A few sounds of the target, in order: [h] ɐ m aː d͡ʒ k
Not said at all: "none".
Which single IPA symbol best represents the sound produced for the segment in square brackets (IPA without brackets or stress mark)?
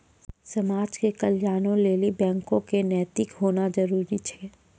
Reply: s